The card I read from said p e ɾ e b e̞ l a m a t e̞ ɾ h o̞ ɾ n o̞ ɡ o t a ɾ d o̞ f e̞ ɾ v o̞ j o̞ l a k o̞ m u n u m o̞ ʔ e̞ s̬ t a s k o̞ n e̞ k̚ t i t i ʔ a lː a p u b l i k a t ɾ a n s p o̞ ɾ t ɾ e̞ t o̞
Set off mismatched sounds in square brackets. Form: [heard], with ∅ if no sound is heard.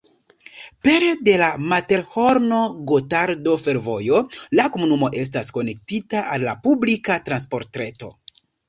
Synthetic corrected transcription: p e ɾ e [d] e̞ l a m a t e̞ ɾ h o̞ ɾ n o̞ ɡ o t a ɾ d o̞ f e̞ ɾ v o̞ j o̞ l a k o̞ m u n u m o̞ ʔ e̞ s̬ t a s k o̞ n e̞ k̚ t i t [a] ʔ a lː a p u b l i k a t ɾ a n s p o̞ ɾ t ɾ e̞ t o̞